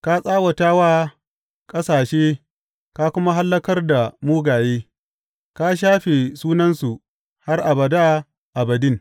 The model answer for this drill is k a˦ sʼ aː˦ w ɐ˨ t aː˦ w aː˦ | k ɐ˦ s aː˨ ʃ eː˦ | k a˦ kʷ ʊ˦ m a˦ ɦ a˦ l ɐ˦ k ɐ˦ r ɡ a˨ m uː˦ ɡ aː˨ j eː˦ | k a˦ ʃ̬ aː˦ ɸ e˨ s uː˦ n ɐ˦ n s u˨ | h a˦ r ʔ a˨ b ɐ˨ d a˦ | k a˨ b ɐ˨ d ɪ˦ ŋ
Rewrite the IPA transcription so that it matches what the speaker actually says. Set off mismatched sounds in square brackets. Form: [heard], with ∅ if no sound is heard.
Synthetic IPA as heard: k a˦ sʼ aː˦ w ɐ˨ t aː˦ w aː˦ | [kʼ] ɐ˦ s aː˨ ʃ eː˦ | k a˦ kʷ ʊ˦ m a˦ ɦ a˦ [lː] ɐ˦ k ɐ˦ r [d] a˨ m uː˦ ɡ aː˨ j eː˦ | k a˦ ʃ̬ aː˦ ɸ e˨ s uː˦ n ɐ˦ n s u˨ | h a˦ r ʔ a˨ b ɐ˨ d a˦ | [ʔ] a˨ b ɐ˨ d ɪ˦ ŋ

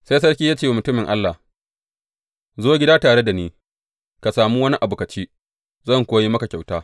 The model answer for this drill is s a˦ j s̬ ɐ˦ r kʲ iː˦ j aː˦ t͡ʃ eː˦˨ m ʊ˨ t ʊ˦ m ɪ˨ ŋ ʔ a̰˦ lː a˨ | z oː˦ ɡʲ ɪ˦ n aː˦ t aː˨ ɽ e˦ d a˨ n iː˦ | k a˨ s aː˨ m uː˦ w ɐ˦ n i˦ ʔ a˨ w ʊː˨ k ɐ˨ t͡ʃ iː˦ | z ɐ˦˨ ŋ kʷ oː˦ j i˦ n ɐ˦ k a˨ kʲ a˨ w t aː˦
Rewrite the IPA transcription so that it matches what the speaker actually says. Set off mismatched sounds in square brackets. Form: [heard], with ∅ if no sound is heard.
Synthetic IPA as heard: s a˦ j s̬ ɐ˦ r kʲ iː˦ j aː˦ t͡ʃ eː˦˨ m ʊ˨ t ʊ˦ m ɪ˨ ŋ ʔ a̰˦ lː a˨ | z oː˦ ɡʲ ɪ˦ [d] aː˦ t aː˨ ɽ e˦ d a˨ n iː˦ | k a˨ s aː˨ m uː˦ w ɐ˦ n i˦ ʔ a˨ [b] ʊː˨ k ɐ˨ t͡ʃ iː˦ | z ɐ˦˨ ŋ kʷ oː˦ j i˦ [m] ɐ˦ k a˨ kʲ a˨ w t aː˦

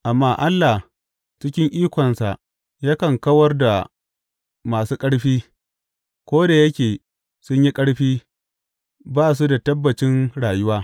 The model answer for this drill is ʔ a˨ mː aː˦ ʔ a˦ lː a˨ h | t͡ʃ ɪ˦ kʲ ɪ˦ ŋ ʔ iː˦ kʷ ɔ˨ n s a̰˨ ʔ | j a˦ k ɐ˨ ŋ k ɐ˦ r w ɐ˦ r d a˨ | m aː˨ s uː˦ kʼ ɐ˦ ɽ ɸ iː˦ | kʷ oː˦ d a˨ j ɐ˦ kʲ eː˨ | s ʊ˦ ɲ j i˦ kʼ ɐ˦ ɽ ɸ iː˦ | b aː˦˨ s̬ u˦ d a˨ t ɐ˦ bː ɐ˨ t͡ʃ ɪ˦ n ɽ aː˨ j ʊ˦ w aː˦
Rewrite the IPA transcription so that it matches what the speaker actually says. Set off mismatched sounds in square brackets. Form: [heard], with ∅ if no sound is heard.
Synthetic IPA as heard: ʔ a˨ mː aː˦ ʔ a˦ lː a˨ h | t͡ʃ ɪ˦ kʲ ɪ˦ ŋ ʔ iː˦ kʷ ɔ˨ n s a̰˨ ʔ | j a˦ k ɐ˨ ŋ k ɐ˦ [∅] w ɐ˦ r d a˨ | m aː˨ s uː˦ kʼ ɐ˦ ɽ ɸ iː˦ | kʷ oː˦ d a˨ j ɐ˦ kʲ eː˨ | s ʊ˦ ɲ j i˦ kʼ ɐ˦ ɽ ɸ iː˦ | b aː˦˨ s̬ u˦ d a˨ t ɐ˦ bː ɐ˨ t͡ʃ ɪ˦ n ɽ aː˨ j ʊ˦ w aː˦

